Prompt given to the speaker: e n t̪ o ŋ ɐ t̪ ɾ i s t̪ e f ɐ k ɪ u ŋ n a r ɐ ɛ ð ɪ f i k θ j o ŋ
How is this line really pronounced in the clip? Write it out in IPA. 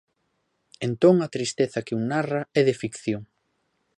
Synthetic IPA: e n t̪ o ŋ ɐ t̪ ɾ i s t̪ e θ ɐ k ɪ u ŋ n a r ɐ ɛ ð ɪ f i k θ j o ŋ